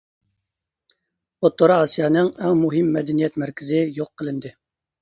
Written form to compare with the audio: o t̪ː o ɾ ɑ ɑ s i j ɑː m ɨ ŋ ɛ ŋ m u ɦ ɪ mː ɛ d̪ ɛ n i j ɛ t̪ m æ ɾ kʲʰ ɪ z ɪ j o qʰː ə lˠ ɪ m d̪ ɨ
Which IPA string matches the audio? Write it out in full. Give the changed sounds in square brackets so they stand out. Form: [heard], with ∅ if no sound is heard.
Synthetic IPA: o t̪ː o ɾ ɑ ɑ s i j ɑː [n] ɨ ŋ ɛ ŋ m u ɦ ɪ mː ɛ d̪ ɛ n i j ɛ t̪ m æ ɾ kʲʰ ɪ z ɪ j o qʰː ə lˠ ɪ [n] d̪ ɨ